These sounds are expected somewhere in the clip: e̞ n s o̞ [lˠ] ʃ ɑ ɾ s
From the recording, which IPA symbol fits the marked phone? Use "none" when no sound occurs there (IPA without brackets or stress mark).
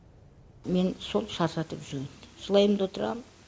lˠ